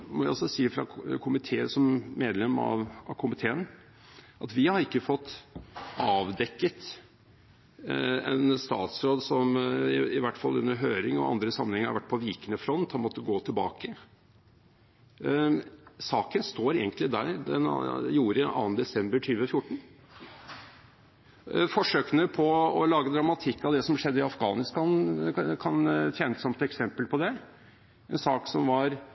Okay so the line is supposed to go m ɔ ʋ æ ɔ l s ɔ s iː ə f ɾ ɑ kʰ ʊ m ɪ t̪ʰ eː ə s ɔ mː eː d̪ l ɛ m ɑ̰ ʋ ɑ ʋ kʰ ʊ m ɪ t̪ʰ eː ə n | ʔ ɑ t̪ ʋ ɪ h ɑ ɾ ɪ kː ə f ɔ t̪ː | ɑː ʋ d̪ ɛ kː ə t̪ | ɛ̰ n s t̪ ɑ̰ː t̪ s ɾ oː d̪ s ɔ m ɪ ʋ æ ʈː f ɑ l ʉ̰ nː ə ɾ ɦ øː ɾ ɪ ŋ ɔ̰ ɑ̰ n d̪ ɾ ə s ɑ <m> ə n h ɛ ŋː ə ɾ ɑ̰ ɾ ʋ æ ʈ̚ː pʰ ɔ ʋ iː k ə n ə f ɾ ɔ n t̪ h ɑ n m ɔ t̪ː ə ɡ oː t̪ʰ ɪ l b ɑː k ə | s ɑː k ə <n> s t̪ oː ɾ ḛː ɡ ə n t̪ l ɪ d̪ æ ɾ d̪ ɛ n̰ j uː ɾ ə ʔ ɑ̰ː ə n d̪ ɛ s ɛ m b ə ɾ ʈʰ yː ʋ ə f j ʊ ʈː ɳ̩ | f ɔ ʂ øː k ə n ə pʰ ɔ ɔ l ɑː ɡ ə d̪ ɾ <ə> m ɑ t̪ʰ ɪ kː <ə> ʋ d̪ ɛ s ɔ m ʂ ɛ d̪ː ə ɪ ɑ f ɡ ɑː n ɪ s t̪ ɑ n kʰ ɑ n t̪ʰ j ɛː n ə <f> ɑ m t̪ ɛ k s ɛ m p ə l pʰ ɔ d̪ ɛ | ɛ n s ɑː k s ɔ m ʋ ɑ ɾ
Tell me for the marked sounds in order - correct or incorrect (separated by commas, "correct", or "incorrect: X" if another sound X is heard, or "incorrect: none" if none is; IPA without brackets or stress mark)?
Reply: correct, correct, incorrect: ɑ, incorrect: ɑ, incorrect: s